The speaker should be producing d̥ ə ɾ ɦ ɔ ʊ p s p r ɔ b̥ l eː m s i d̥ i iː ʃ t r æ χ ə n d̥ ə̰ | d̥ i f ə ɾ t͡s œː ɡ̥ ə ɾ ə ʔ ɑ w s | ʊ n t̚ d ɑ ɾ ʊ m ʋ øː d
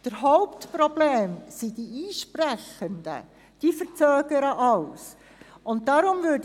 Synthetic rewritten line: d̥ ə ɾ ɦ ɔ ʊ p t p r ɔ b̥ l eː m s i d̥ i iː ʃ p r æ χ ə n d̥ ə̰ | d̥ i f ə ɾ t͡s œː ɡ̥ ə ɾ ə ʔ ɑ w s | ʊ n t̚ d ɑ ɾ ʊ m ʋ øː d